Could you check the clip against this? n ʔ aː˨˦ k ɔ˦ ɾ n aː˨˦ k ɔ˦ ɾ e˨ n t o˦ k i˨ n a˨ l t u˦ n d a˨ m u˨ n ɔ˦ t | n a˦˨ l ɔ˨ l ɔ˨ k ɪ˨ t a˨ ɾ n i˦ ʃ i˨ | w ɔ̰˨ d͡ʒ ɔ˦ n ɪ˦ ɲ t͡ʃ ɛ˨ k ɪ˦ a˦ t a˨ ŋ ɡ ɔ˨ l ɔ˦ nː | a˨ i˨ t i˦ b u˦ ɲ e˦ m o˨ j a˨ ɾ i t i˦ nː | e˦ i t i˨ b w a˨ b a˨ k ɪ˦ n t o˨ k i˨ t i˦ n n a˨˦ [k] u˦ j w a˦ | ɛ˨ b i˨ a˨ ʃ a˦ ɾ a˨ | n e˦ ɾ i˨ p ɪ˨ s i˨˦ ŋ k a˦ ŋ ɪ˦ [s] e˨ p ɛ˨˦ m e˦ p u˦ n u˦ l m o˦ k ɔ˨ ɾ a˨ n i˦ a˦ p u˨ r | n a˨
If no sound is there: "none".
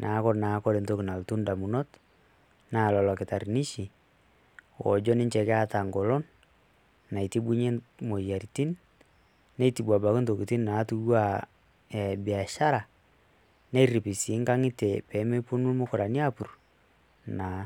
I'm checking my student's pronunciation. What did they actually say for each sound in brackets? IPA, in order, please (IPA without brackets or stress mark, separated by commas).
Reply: t, t